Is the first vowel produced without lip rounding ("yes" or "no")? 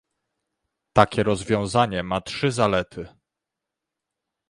yes